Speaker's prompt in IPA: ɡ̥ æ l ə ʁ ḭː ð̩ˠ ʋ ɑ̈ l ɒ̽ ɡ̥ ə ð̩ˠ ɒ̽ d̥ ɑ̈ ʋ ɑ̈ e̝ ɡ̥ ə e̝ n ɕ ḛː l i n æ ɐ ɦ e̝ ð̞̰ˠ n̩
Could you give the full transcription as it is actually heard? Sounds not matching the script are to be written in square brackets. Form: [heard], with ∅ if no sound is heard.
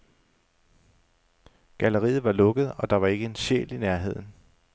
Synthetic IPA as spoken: ɡ̥ æ l ə ʁ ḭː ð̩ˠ ʋ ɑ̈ l [ɔ̽] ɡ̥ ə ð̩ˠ ɒ̽ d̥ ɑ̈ ʋ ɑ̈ e̝ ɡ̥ ə e̝ n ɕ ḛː l i n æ ɐ ɦ e̝ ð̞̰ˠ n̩